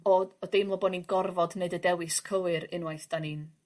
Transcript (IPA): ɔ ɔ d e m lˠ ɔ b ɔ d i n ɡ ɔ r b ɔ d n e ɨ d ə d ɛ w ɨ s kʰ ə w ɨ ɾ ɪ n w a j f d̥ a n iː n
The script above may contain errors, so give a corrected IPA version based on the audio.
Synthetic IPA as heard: ɔ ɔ d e m lˠ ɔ b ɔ n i n ɡ ɔ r v ɔ d n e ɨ d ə d ɛ w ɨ s kʰ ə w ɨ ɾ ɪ n w a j θ d̥ a n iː n